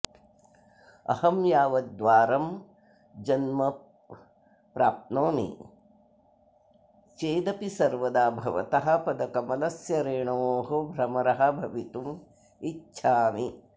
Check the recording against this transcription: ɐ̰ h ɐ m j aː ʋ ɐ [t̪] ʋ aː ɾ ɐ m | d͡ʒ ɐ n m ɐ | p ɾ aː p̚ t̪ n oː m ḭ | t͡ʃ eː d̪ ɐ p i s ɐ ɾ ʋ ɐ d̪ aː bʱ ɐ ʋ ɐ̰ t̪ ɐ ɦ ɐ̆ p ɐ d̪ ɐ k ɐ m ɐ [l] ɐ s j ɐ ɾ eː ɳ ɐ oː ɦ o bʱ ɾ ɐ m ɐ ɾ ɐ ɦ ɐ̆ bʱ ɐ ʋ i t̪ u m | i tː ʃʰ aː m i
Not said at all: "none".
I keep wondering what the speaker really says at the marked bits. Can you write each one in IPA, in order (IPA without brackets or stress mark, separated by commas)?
d̪, l